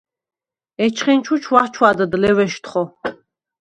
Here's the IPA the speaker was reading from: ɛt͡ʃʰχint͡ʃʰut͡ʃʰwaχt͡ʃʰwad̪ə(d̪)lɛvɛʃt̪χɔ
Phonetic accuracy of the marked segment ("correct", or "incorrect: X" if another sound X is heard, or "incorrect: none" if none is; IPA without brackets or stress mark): correct